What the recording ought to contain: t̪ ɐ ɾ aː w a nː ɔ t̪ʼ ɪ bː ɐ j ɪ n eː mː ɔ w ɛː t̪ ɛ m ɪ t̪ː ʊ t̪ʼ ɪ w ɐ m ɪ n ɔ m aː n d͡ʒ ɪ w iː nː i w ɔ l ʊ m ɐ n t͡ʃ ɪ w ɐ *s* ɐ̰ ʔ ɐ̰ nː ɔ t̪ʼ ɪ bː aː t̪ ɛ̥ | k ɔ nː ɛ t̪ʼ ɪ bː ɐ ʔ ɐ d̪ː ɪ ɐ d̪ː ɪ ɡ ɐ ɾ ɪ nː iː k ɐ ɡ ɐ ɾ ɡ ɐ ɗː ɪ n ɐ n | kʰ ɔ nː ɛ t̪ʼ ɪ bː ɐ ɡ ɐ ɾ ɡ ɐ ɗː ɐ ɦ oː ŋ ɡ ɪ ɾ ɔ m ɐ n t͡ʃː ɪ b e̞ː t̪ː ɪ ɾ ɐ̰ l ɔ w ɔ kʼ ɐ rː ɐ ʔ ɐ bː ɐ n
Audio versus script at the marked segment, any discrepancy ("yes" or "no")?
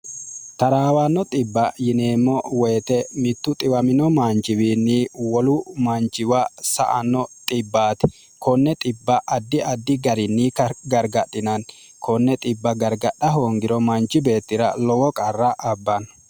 no